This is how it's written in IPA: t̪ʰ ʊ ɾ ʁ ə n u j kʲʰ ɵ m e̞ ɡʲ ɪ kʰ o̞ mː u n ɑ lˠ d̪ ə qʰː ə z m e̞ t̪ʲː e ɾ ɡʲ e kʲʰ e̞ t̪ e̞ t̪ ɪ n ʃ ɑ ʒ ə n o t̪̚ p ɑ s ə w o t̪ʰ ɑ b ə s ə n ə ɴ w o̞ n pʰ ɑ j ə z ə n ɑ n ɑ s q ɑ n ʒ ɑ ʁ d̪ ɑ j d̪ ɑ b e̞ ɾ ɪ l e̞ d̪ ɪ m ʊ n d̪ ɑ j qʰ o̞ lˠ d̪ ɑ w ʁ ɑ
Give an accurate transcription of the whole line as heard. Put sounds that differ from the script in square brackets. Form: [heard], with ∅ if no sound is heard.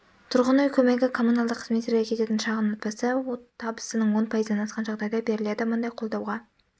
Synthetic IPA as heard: t̪ʰ ʊ ɾ ʁ ə n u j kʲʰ ɵ m e̞ ɡʲ ɪ kʰ o̞ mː u n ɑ lˠ d̪ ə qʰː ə z m e̞ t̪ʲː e ɾ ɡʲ e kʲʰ e̞ t̪ e̞ t̪ ɪ n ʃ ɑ [ʁ] ə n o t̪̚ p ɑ s ə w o t̪ʰ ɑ b ə s ə n ə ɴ w o̞ n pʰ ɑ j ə z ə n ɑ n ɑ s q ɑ n ʒ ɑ ʁ d̪ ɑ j d̪ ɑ b e̞ ɾ ɪ l e̞ d̪ ɪ m ʊ n d̪ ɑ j qʰ o̞ lˠ d̪ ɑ w ʁ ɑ